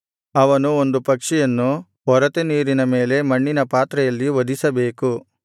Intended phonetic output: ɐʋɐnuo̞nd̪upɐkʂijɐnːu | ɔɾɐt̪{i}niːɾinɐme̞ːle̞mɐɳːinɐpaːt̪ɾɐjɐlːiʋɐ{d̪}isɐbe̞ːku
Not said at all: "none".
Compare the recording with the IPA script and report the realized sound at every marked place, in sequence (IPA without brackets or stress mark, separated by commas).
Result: e, d̪